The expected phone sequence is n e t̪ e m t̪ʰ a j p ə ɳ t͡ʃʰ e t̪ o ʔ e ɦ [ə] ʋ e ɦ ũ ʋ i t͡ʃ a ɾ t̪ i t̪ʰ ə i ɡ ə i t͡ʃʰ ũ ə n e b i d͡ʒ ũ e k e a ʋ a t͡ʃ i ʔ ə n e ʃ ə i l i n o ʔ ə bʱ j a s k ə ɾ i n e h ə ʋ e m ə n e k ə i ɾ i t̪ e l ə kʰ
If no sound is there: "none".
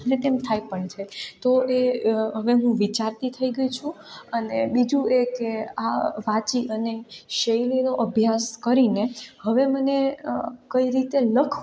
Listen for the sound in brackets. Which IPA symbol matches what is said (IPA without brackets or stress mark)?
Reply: ə